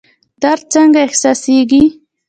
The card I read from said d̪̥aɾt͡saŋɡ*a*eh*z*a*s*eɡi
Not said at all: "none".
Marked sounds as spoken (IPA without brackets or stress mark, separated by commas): a, s, s